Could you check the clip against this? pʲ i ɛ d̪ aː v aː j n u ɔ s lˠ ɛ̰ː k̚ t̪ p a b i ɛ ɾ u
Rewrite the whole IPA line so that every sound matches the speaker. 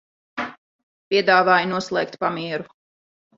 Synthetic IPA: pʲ i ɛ d̪ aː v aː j n u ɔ s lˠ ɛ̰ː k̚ t̪ p a m i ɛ ɾ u

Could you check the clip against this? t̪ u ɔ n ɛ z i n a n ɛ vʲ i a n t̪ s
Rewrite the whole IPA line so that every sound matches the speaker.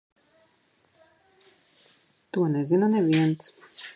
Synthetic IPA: t̪ u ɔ n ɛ z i n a n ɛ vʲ i ɛ n t̪ s

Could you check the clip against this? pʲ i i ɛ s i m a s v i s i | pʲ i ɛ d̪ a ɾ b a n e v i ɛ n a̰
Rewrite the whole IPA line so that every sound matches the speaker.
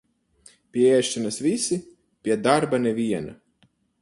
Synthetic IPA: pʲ i ɛ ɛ ʃ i n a s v i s i | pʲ i ɛ d̪ a ɾ b a n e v i ɛ n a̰

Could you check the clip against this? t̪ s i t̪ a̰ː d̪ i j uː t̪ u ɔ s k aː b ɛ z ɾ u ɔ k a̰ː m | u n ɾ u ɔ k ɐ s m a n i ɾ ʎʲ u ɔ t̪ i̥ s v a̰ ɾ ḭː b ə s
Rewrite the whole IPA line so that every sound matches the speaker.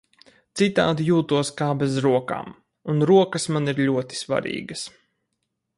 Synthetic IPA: t̪ s i t̪ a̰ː d̪ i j uː t̪ u ɔ s k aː b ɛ z ɾ u ɔ k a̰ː m | u n ɾ u ɔ k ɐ s m a n i ɾ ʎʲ u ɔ t̪ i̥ s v a̰ ɾ ḭː ɡ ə s

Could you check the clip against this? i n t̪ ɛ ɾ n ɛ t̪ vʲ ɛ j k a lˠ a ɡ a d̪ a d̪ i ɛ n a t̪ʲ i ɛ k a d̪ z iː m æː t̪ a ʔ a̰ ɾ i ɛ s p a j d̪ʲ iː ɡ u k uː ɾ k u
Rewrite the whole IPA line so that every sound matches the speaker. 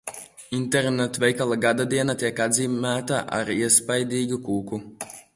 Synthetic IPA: i n t̪ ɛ ɾ n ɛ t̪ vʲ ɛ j k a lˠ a ɡ a d̪ a d̪ i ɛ n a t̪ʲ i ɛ k a d̪ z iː m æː t̪ a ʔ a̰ ɾ i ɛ s p a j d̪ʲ iː ɡ u k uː k u

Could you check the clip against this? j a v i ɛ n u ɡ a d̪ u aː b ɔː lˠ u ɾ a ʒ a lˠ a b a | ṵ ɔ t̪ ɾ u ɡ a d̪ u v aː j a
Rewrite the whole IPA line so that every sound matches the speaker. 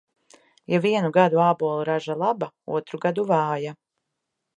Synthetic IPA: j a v i ɛ n u ɡ a d̪ u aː b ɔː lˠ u ɾ a ʒ a lˠ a b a | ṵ ɔ t̪ ɾ u ɡ a d̪ u v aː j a

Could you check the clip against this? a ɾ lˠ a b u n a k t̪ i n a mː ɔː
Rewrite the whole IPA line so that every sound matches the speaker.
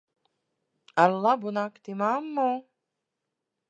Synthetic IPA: a ɾ lˠ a b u n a k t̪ i m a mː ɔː

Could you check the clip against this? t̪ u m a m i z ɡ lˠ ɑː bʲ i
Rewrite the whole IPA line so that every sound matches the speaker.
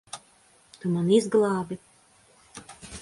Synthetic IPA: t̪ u m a n i z ɡ lˠ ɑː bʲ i

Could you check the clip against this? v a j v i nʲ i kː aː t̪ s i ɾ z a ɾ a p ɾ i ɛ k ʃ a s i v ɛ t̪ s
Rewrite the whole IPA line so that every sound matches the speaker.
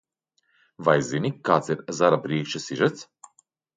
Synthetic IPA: v a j z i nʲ i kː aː t̪ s i ɾ z a ɾ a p ɾ i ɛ k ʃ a s i ʒ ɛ t̪ s

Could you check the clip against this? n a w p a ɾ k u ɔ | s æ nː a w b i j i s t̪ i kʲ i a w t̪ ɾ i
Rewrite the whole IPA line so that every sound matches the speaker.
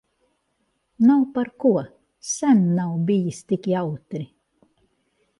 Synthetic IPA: n a w p a ɾ k u ɔ | s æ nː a w b i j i s t̪ i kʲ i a w t̪ ɾ i

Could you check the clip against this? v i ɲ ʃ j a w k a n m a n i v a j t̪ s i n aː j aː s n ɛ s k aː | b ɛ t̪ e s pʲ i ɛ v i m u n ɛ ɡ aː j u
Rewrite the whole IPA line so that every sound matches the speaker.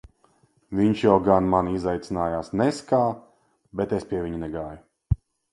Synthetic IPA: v i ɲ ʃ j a w ɡ a n m a n i z a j t̪ s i n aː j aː s n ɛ s k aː | b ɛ t̪ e s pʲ i ɛ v i ɲ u n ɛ ɡ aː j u

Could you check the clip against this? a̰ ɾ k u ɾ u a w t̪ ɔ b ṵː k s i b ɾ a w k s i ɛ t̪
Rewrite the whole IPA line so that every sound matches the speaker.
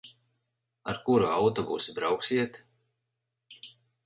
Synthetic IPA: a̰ ɾ k u ɾ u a w t̪ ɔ b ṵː s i b ɾ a w k s i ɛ t̪

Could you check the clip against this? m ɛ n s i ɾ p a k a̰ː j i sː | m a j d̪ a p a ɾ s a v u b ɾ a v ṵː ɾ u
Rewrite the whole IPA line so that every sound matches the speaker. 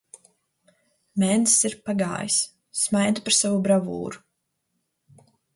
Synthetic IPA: m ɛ n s i ɾ p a ɡ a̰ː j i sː | m a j d̪ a p a ɾ s a v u b ɾ a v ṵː ɾ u

